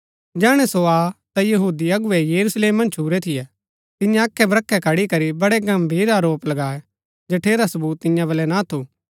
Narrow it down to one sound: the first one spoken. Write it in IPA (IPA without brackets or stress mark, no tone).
d͡ʒ